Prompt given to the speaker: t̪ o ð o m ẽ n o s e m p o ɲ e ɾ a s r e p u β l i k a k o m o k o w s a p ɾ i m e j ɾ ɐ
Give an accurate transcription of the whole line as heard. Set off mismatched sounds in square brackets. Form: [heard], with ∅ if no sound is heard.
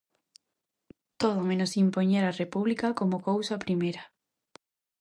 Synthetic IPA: t̪ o ð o m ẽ n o s [i] m p o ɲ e ɾ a [∅] r e p u β l i k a k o m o k o w s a p ɾ i m e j ɾ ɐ